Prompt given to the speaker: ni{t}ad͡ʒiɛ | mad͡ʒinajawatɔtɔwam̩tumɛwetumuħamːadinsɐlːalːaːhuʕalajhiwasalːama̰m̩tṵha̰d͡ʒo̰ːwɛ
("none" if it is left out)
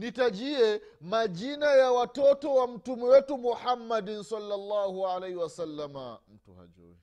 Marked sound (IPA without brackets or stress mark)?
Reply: t